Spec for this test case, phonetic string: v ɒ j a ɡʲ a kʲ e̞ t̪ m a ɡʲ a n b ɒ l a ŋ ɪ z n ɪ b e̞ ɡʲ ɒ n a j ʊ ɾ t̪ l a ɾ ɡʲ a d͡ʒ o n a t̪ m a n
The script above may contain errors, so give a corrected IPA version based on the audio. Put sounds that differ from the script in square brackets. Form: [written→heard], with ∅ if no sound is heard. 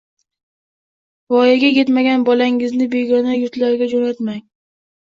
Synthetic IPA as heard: v ɒ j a ɡʲ a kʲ e̞ t̪ m a ɡʲ a n b ɒ l a ŋ ɪ z n ɪ b e̞ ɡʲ ɒ n a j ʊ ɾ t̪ l a ɾ ɡʲ a d͡ʒ o n a t̪ m a [n→ŋ]